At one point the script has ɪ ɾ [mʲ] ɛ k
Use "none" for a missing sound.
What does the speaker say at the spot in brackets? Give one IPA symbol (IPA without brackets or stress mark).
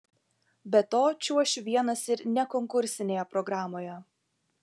nʲ